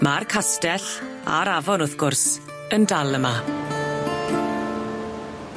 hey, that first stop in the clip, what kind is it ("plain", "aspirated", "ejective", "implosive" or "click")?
aspirated